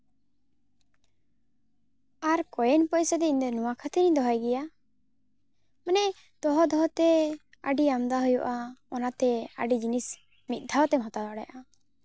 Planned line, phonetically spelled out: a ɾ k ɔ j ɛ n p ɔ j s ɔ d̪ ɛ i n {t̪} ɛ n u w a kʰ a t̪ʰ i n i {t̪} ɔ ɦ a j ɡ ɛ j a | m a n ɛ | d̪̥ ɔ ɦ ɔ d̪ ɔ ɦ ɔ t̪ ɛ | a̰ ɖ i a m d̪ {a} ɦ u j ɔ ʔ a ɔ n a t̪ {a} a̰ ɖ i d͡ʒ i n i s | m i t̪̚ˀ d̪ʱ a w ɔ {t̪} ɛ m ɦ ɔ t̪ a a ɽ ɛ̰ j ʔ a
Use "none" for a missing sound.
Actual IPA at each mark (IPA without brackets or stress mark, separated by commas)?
d̪, d̪, a, ɛ, t̪